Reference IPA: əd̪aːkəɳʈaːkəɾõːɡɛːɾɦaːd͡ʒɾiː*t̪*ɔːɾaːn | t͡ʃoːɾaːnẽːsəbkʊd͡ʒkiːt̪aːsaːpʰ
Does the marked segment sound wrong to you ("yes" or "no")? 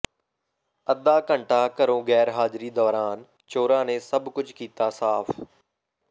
yes